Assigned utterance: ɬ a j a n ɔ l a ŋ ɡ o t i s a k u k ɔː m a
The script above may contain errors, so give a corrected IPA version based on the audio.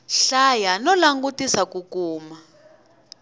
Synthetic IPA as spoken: ɬ a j a n ɔ l a ŋ ɡ u t i s a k u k uː m a

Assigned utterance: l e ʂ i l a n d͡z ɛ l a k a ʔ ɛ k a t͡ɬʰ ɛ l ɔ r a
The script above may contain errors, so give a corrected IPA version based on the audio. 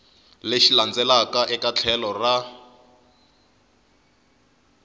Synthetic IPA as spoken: l e ʃ i l a n d͡z ɛ l a k a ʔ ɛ k a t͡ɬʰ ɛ l ɔ r a

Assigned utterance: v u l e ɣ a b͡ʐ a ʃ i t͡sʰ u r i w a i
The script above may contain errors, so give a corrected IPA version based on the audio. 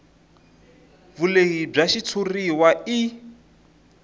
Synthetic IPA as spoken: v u l e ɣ i b͡ʐ a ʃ i t͡sʰ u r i w a i

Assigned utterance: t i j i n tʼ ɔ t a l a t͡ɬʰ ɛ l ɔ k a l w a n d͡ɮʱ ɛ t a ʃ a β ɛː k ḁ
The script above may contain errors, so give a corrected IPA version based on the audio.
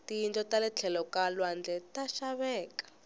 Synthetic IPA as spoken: t i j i n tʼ ɔ t a l ɛ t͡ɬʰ ɛ l ɔ k a l w a n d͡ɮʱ ɛ t a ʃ a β ɛː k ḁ

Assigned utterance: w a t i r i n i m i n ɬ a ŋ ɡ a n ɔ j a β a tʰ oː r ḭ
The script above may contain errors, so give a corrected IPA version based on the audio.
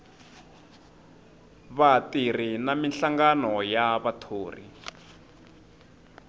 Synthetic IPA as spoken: β a t i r i n a m i n ɬ a ŋ ɡ a n ɔ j a β a tʰ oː r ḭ

